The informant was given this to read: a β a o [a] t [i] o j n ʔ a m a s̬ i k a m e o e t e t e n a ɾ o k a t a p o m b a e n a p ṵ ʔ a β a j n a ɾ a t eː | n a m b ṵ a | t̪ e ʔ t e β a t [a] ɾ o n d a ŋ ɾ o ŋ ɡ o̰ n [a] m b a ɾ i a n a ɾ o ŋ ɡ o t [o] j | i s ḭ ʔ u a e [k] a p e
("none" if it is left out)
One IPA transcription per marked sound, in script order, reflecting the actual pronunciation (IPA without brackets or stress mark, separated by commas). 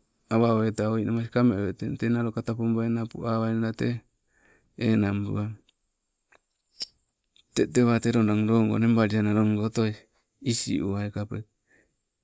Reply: e, a, e, e, o, k